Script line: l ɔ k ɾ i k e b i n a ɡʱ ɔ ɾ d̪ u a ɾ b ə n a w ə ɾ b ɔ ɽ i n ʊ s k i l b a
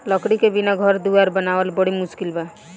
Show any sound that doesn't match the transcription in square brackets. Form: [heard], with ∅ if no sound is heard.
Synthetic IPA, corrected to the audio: l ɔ k [ɽ] i k e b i n a ɡʱ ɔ ɾ d̪ u a ɾ b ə n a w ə [l] b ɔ ɽ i [m] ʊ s k i l b a